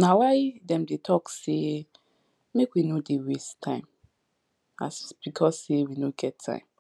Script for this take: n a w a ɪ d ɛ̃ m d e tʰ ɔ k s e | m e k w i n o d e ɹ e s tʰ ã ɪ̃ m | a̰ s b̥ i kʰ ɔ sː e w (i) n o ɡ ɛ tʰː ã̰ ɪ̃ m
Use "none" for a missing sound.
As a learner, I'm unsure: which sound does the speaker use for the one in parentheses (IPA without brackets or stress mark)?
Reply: i